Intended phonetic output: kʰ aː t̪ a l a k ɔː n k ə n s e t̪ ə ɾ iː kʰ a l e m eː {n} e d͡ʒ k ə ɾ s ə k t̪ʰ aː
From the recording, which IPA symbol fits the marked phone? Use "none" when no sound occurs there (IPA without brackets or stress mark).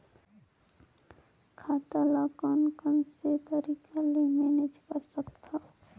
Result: n